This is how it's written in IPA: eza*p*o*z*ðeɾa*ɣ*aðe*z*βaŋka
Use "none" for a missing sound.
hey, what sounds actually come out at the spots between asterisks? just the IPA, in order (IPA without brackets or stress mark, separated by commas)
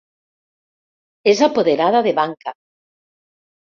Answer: p, none, ð, none